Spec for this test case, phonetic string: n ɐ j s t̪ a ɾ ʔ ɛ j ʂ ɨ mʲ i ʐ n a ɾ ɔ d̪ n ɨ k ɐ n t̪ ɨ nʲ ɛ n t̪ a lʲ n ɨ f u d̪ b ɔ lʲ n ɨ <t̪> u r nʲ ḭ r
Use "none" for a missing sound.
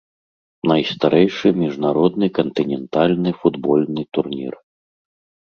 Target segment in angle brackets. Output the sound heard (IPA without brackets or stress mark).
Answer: t̪